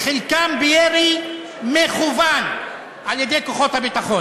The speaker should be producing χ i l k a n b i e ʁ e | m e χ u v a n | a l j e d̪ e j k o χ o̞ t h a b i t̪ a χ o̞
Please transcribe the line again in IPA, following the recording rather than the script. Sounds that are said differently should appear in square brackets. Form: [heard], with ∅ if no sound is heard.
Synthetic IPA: χ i l k a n b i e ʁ [i] | m e χ u v a n | a l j e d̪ e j k o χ o̞ t h a b i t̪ a χ o̞